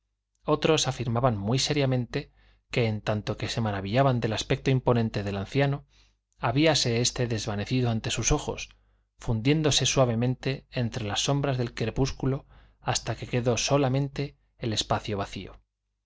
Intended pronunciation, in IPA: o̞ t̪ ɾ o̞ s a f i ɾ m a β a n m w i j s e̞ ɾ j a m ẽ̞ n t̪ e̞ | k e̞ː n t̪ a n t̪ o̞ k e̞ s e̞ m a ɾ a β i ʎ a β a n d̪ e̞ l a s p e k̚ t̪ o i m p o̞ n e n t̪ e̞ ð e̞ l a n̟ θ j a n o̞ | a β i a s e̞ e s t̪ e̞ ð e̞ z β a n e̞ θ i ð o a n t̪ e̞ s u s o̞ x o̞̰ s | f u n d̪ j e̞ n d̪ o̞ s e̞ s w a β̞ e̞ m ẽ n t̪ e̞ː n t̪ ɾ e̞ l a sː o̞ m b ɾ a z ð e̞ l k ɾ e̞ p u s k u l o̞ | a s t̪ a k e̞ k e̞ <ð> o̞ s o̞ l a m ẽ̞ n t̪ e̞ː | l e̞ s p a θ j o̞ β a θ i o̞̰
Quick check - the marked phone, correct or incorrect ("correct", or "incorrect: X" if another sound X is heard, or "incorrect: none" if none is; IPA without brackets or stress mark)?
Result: correct